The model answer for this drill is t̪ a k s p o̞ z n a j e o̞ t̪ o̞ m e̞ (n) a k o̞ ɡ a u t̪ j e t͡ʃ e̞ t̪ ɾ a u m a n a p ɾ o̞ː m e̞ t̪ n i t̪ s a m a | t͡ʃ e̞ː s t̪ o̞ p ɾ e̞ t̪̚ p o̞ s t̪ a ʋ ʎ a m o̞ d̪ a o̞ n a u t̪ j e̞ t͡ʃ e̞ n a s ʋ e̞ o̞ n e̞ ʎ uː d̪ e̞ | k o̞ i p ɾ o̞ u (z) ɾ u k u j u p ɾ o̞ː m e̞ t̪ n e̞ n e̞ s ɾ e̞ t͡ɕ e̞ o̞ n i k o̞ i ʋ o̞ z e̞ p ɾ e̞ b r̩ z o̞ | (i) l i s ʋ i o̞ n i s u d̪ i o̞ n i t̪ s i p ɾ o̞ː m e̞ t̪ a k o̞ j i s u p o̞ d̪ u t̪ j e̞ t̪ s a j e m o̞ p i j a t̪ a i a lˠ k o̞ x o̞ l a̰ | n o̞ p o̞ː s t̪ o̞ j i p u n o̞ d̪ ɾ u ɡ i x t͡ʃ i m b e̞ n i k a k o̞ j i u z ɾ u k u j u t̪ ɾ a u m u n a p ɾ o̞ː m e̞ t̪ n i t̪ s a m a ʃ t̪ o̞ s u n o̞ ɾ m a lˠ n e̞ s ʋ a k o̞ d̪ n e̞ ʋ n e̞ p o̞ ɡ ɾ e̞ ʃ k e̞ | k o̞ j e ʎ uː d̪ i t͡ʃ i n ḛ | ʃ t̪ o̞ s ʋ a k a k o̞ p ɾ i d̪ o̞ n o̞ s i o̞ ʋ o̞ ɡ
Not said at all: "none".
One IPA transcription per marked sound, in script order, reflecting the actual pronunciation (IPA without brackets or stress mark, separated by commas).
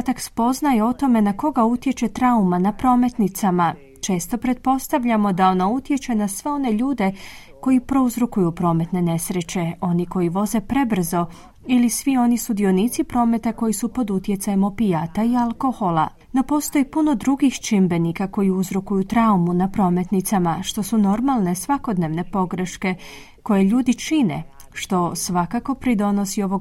n, z, i